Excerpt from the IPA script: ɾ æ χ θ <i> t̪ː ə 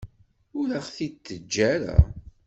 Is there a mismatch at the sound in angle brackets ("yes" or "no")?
no